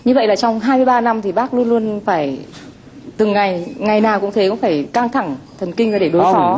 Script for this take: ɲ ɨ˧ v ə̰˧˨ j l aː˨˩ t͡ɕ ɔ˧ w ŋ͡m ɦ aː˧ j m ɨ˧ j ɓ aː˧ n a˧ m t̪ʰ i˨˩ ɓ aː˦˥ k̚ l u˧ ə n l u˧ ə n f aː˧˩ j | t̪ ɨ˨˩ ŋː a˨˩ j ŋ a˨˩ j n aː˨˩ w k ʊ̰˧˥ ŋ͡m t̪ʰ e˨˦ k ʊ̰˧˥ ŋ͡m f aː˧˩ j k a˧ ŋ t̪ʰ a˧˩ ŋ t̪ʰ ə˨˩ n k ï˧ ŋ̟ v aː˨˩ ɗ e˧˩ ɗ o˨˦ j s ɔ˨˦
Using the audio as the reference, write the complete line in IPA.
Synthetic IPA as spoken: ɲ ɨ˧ v ə̰˧˨ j l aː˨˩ t͡ɕ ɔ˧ w ŋ͡m ɦ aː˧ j m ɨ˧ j ɓ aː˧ n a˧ m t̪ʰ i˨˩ ɓ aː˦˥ k̚ l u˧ ə n l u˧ ə n f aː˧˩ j | t̪ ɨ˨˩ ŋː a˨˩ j ŋ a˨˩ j n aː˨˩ w k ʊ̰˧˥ ŋ͡m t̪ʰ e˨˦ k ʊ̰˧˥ ŋ͡m f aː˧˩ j k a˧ ŋ t̪ʰ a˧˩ ŋ t̪ʰ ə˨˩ n k ï˧ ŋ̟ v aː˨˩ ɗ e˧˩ ɗ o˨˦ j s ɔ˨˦

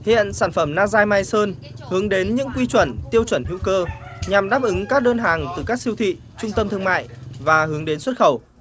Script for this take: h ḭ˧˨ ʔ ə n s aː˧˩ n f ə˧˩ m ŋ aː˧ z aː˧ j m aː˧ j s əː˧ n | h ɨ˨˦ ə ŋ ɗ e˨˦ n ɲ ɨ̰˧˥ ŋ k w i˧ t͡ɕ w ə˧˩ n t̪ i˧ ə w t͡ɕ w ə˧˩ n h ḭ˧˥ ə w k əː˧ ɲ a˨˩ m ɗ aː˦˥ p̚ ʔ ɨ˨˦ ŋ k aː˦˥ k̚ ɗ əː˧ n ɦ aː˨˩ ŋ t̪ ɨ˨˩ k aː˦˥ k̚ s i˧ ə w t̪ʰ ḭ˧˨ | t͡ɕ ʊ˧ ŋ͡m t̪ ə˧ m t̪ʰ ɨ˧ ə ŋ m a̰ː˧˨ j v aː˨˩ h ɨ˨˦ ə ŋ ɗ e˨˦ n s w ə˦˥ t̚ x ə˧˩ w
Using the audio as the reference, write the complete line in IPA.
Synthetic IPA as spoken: h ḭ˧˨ ə n s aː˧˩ n f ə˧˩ m n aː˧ z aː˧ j m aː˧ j s əː˧ n | h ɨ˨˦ ə ŋ ɗ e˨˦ n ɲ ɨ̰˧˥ ŋ k w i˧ t͡ɕ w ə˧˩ n t̪ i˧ ə w t͡ɕ w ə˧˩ n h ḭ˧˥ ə w k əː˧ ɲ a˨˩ m ɗ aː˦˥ p̚ ʔ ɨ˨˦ ŋ k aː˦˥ k̚ ɗ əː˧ n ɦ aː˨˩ ŋ t̪ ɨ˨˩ k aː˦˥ k̚ s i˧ ə w t̪ʰ ḭ˧˨ | t͡ɕ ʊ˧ ŋ͡m t̪ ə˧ m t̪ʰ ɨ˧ ə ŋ m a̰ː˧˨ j v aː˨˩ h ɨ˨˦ ə ŋ ɗ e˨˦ n s w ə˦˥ t̚ x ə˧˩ w

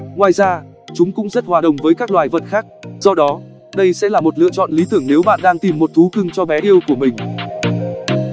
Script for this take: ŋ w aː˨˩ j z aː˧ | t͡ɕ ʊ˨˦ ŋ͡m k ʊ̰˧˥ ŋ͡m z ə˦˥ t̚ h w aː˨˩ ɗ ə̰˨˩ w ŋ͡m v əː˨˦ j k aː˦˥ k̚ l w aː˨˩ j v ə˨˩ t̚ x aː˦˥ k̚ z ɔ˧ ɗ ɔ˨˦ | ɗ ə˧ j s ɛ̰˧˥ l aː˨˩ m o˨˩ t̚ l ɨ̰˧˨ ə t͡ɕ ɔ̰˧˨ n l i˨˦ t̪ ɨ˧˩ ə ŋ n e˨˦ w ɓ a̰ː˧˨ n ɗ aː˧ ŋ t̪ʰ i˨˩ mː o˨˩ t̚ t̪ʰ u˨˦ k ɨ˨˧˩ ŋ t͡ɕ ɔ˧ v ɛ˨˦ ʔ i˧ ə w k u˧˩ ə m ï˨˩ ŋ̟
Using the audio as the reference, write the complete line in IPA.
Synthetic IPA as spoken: ŋ w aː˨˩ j z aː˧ | t͡ɕ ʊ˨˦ ŋ͡m k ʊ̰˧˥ ŋ͡m z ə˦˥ t̚ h w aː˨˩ ɗ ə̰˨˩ w ŋ͡m v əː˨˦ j k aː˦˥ k̚ l w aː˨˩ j v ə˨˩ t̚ x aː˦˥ k̚ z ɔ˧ ɗ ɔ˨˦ | ɗ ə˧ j s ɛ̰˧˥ l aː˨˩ m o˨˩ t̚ l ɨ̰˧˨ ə t͡ɕ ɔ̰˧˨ n l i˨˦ t̪ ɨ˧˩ ə ŋ n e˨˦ w ɓ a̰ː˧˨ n ɗ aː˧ ŋ t̪ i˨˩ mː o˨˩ t̚ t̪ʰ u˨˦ k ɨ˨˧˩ ŋ t͡ɕ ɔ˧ v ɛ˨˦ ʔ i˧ ə w k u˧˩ ə m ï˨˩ ŋ̟

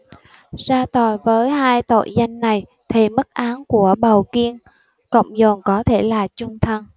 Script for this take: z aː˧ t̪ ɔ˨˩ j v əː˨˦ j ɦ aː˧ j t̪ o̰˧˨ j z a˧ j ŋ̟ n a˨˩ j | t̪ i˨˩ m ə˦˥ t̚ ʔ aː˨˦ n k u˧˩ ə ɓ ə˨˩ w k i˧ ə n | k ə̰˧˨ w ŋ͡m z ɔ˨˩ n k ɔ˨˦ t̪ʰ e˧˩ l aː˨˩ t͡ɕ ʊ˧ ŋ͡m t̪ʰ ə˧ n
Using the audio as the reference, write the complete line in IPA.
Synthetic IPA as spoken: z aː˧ t̪ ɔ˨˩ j v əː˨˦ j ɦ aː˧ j t̪ o̰˧˨ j z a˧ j ŋ̟ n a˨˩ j | t̪ʰ i˨˩ m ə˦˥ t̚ ʔ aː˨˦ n k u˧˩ ə ɓ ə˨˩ w k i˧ ə n | k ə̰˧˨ w ŋ͡m z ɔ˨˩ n k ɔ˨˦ t̪ʰ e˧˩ l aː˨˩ t͡ɕ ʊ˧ ŋ͡m t̪ʰ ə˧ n

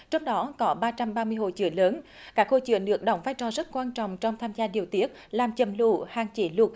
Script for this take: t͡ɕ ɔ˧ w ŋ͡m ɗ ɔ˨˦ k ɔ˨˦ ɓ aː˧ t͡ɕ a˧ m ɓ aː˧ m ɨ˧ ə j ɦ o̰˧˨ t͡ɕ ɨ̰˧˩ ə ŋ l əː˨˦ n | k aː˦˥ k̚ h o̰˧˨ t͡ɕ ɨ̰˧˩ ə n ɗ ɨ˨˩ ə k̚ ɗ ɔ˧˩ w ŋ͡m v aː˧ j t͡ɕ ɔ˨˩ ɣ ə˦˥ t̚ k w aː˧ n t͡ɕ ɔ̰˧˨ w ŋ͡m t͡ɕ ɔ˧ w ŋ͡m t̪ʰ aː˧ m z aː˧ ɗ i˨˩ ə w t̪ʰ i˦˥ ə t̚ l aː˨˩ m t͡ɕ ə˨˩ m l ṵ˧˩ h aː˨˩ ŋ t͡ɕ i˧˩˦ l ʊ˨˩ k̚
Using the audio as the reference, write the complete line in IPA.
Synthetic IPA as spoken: t͡ɕ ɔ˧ w ŋ͡m ɗ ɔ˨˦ k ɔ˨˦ ɓ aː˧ t͡ɕ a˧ m ɓ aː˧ m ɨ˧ ə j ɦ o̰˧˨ t͡ɕ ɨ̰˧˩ ə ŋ l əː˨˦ n | k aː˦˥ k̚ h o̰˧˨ t͡ɕ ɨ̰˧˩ ə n ɗ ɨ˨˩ ə k̚ ɗ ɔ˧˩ w ŋ͡m v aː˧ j t͡ɕ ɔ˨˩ z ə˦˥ t̚ k w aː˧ n t͡ɕ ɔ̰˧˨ w ŋ͡m t͡ɕ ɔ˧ w ŋ͡m t̪ʰ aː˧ m z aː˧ ɗ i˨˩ ə w t̪ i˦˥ ə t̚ l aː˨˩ m t͡ɕ ə˨˩ m l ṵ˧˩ h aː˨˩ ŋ t͡ɕ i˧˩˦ l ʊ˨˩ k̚

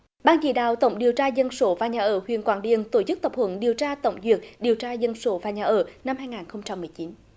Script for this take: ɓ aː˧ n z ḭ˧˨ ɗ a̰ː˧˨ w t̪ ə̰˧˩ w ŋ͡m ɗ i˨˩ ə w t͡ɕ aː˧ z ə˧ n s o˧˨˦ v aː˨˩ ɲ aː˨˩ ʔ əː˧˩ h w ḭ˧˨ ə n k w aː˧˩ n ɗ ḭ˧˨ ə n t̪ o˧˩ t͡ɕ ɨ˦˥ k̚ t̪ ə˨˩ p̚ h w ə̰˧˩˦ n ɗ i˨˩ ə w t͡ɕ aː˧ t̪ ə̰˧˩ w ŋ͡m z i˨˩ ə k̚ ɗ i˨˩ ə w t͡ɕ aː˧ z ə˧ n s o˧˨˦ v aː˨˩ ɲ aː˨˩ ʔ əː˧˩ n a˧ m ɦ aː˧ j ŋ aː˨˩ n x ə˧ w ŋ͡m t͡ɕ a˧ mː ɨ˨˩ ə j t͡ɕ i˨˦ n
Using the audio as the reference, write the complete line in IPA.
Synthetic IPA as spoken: ɓ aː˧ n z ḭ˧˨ ɗ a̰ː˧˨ w t̪ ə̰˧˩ w ŋ͡m ɗ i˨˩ ə w t͡ɕ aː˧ z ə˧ n s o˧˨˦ v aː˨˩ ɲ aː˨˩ ʔ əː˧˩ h w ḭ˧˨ ə n k w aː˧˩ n ɗ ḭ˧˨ ə n t̪ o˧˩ t͡ɕ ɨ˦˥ k̚ t̪ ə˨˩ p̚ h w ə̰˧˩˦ n ɗ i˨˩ ə w t͡ɕ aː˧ t̪ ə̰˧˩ w ŋ͡m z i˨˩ ə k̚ ɗ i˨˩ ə w t͡ɕ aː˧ z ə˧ n s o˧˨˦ v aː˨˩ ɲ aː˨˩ ʔ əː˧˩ n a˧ m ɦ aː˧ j ŋ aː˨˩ n x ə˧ w ŋ͡m t͡ɕ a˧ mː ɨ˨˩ ə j t͡ɕ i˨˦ n

